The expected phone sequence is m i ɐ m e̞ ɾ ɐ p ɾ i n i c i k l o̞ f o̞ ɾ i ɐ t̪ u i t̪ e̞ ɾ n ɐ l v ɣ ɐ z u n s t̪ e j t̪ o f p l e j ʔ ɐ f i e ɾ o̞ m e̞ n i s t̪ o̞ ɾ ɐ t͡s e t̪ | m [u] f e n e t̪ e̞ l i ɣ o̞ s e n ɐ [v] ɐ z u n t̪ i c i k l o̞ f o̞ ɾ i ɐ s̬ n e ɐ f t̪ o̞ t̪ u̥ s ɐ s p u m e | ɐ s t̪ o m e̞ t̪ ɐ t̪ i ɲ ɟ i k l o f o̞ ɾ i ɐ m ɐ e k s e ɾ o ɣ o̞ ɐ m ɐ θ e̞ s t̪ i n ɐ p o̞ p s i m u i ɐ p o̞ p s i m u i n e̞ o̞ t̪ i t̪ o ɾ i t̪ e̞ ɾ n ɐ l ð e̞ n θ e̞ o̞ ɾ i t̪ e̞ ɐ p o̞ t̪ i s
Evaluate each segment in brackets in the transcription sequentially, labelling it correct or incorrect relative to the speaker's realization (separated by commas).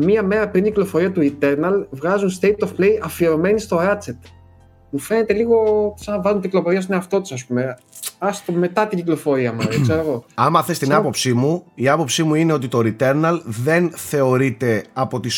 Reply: correct, correct